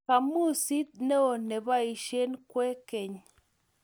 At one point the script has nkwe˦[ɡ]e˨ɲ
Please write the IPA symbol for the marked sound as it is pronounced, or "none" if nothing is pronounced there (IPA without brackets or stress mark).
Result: k